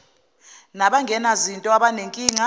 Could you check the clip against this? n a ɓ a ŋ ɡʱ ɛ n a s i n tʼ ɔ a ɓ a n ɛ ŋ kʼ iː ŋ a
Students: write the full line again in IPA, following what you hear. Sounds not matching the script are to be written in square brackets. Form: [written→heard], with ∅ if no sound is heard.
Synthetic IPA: n a ɓ a ŋ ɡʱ ɛ n a [s→z] i n tʼ ɔ a ɓ a n [ɛ→e] ŋ kʼ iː ŋ a